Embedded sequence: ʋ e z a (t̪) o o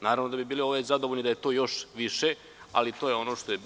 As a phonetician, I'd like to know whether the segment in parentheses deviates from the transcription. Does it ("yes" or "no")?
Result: yes